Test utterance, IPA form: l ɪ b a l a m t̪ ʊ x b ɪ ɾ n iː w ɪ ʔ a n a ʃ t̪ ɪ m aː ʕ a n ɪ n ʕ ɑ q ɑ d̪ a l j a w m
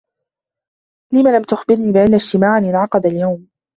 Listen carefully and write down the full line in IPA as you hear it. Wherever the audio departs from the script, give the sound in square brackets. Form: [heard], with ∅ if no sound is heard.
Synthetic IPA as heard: l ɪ [m] a l a m t̪ ʊ x b ɪ ɾ n iː [b] ɪ ʔ a [nː] a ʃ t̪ ɪ m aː ʕ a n ɪ n ʕ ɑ q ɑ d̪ a l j a w m

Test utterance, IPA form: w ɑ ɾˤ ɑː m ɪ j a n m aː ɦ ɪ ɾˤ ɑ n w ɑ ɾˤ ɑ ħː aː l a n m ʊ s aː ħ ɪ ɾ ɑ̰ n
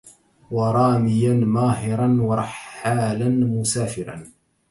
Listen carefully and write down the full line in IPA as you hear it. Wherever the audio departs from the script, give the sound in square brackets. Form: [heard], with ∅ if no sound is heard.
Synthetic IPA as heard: w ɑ ɾˤ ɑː m ɪ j a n m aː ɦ ɪ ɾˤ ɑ n w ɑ ɾˤ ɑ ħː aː l a n m ʊ s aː [f] ɪ ɾ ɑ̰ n

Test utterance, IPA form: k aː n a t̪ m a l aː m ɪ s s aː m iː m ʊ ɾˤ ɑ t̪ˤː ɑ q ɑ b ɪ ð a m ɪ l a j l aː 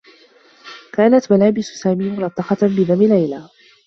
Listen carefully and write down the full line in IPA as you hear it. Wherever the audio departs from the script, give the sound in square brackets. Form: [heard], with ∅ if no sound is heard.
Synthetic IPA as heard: k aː n a t̪ m a l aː [b] ɪ s s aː m iː m ʊ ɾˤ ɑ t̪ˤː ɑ q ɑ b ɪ ð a m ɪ l a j l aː

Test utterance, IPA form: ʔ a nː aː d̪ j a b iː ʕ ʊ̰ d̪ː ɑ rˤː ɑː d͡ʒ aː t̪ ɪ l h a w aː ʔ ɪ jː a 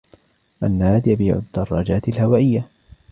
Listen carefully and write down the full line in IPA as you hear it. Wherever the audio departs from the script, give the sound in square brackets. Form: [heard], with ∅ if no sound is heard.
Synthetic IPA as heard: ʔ a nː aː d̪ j a b iː ʕ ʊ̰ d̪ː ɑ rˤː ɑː d͡ʒ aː t̪ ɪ l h a w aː ʔ ɪ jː a

